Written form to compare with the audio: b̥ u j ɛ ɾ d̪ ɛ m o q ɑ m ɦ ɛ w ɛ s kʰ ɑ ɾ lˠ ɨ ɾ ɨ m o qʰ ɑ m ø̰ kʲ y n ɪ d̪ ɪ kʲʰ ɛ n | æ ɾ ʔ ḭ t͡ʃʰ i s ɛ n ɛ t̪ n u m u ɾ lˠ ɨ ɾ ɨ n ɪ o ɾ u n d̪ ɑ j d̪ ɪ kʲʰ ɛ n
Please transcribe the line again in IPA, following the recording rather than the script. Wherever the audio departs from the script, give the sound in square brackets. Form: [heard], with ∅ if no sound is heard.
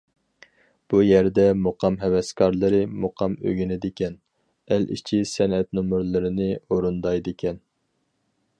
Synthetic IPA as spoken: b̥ u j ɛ ɾ d̪ ɛ m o q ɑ m ɦ ɛ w ɛ s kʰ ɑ ɾ lˠ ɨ ɾ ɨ m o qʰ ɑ m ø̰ [ɡʲ] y n ɪ d̪ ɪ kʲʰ ɛ n | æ [l] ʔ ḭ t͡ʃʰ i s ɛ n ɛ t̪ n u m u ɾ lˠ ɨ ɾ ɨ n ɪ o ɾ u n d̪ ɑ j d̪ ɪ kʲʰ ɛ n

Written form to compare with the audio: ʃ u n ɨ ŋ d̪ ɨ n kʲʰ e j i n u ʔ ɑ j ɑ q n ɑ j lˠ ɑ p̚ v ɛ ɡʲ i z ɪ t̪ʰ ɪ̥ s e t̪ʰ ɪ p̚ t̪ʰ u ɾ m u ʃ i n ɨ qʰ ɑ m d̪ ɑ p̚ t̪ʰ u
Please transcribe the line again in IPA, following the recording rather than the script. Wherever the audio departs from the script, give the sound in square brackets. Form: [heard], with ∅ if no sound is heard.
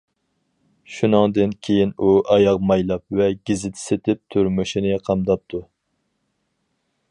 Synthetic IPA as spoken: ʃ u n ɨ ŋ d̪ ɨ n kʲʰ e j i n u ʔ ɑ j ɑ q [m] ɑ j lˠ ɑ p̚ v ɛ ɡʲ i z ɪ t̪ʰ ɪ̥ s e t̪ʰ ɪ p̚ t̪ʰ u ɾ m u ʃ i n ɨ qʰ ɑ m d̪ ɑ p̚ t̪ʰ u

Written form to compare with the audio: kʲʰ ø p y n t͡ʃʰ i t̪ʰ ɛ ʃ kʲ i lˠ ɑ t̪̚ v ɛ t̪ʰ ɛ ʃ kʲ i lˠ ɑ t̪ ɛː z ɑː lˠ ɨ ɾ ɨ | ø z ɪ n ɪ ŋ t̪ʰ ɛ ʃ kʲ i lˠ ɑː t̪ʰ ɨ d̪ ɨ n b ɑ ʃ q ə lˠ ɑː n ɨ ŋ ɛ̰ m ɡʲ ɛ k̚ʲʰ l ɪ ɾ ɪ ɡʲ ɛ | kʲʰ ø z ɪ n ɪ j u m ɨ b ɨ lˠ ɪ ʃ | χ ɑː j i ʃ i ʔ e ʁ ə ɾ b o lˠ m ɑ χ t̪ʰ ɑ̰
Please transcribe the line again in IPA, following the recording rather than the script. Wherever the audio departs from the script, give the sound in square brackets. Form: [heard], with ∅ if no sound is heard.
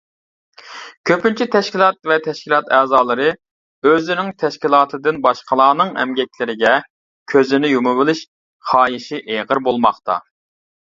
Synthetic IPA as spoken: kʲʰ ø p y n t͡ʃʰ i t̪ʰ ɛ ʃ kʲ i lˠ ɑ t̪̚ v ɛ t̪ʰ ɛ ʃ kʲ i lˠ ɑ t̪ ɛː z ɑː lˠ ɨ ɾ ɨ | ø z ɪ n ɪ ŋ t̪ʰ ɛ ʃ kʲ i lˠ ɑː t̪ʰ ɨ d̪ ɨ n b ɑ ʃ q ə lˠ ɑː n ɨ ŋ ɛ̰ m ɡʲ ɛ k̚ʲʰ l ɪ ɾ ɪ ɡʲ ɛ | kʲʰ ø z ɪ n ɪ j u m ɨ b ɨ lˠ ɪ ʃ | χ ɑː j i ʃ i ʔ e ʁ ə ɾ b o lˠ m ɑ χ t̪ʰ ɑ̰

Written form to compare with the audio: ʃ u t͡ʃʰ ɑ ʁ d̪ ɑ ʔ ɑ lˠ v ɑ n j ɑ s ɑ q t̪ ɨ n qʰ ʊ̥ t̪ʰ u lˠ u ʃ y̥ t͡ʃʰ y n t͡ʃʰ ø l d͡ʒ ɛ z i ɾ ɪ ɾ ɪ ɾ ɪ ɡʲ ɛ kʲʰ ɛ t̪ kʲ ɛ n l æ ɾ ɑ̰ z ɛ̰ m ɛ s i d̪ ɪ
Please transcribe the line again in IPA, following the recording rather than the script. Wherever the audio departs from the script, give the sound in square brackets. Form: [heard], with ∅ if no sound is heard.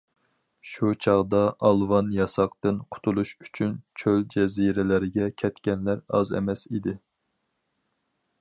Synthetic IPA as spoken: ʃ u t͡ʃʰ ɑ ʁ d̪ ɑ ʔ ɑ lˠ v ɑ n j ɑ s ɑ q t̪ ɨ n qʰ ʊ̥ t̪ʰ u lˠ u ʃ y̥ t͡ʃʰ y n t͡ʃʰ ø l d͡ʒ ɛ z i ɾ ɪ [l] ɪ ɾ ɪ ɡʲ ɛ kʲʰ ɛ t̪ kʲ ɛ n l æ ɾ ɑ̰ z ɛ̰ m ɛ s i d̪ ɪ

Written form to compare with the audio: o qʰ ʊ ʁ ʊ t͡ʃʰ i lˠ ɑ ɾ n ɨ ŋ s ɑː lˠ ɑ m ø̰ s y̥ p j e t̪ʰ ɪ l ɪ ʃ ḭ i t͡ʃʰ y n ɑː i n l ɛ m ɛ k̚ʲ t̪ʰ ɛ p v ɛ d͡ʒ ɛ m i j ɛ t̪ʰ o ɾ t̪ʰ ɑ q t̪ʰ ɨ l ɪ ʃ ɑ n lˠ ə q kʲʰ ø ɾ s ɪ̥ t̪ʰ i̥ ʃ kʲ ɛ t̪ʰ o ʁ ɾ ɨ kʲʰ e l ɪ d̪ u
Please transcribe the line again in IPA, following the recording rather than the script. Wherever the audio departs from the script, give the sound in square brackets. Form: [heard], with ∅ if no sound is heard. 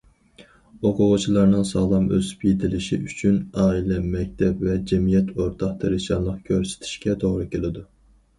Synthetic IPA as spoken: o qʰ ʊ ʁ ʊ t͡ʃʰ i lˠ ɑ ɾ n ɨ ŋ s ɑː lˠ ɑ m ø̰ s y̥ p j e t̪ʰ ɪ l ɪ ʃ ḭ [y] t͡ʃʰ y n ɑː i [∅] l ɛ m ɛ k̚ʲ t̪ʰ ɛ p v ɛ d͡ʒ ɛ m i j ɛ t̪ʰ o ɾ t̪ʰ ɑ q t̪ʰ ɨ [ɾ] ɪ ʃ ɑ n lˠ ə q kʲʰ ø ɾ s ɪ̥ t̪ʰ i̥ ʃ kʲ ɛ t̪ʰ o ʁ ɾ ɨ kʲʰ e l ɪ d̪ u

